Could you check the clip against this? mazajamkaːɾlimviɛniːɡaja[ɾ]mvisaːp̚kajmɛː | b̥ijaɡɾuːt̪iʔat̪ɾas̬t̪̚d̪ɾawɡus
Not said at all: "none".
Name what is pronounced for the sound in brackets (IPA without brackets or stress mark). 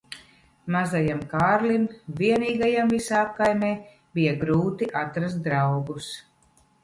none